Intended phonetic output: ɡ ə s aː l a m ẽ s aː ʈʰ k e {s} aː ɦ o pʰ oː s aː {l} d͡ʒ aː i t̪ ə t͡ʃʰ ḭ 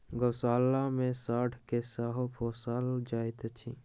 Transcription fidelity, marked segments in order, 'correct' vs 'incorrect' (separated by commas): correct, correct